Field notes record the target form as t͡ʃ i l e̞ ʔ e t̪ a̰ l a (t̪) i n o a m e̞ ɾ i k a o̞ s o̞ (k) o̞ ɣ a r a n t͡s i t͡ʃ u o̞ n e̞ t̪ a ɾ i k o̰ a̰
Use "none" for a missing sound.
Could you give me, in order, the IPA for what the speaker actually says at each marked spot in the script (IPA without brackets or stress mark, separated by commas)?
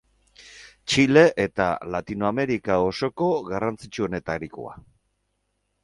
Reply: t̪, k